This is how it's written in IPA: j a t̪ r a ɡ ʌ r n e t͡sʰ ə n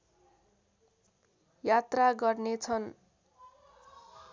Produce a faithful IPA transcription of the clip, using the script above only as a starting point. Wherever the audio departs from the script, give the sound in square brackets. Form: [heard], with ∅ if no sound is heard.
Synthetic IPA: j a t̪ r a ɡ ʌ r n e t͡sʰ [ʌ] n